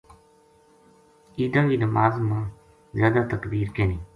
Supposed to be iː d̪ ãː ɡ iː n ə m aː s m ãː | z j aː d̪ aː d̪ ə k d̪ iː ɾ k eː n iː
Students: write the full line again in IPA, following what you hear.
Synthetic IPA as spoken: iː d̪ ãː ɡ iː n ə m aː z m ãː | z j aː d̪ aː t̪ ə k d̪ iː ɾ k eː n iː